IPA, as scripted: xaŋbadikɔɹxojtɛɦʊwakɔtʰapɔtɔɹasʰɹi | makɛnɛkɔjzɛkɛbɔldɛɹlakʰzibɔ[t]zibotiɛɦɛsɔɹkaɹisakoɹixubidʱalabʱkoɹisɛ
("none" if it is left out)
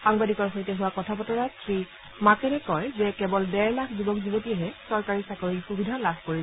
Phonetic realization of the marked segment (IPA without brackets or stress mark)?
k